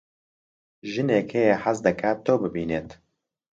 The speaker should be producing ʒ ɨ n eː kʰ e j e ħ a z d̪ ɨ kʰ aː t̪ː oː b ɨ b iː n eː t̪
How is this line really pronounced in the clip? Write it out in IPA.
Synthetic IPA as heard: ʒ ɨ n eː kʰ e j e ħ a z d̪ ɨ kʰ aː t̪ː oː b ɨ b iː n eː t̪